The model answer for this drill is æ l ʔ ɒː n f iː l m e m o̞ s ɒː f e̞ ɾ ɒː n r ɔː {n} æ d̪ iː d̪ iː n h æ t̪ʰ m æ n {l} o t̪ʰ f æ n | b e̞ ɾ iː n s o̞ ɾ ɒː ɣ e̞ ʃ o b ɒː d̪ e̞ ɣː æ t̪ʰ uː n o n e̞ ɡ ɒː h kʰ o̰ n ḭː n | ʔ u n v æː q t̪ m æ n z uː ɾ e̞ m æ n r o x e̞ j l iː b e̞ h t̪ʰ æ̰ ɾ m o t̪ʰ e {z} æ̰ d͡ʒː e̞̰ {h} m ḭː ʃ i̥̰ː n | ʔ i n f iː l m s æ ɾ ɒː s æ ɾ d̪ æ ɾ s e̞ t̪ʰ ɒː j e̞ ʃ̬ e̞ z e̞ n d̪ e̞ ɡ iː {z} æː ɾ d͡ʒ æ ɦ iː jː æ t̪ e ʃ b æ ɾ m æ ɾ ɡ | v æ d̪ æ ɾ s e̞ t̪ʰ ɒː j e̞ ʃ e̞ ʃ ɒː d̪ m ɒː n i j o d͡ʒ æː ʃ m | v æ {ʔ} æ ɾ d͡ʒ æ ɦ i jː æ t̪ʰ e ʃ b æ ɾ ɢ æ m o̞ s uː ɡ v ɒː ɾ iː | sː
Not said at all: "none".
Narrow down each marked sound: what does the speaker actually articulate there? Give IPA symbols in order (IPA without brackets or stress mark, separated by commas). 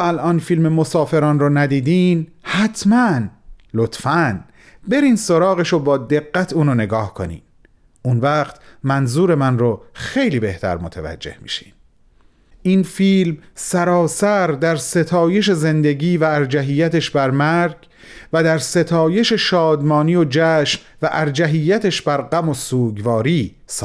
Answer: n, l, v, h, v, ʔ